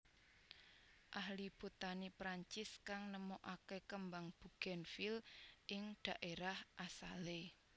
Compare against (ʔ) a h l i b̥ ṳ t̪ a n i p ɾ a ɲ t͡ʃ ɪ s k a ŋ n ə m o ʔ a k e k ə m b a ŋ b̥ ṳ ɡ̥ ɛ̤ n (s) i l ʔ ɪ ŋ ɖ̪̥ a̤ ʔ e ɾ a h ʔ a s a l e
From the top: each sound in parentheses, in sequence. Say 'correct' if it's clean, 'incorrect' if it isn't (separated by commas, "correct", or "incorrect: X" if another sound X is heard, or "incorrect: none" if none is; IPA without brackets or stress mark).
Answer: correct, incorrect: f